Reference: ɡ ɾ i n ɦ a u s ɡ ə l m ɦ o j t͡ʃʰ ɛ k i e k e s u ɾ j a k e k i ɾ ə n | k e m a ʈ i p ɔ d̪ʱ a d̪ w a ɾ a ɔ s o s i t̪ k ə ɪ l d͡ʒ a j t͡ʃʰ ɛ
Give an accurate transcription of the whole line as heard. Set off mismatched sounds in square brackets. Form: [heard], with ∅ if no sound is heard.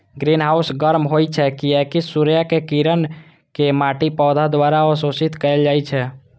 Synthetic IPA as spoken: ɡ ɾ i n ɦ a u s ɡ ə [ɾ] m ɦ o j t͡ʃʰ ɛ k i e k [i] s u ɾ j a k e k i ɾ ə n | k e m a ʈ i p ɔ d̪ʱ a d̪ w a ɾ a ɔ s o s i t̪ k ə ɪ l d͡ʒ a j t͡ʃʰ ɛ

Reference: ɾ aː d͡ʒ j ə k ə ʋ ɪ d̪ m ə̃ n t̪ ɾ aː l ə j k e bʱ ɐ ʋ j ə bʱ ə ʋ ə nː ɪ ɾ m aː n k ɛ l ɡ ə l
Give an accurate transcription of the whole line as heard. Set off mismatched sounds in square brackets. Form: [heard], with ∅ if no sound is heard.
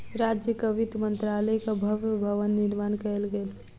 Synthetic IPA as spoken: ɾ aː d͡ʒ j ə k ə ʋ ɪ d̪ m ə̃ n t̪ ɾ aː l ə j k [a] bʱ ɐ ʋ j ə bʱ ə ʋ ə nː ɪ ɾ m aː n k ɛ l ɡ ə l

